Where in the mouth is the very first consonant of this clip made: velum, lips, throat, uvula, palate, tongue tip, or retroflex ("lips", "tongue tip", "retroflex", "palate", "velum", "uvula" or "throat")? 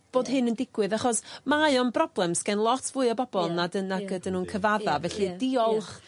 lips